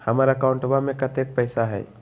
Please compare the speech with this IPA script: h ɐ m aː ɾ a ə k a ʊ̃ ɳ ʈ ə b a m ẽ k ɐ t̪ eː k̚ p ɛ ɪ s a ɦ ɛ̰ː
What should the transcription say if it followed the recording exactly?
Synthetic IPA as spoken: h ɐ m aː ɾ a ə k a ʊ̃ ɳ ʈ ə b a m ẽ k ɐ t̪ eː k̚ p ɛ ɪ s a ɦ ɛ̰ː